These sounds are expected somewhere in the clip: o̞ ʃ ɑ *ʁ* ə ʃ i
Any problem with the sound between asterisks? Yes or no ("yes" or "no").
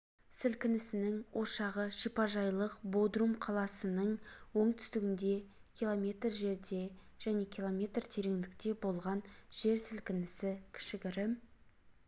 no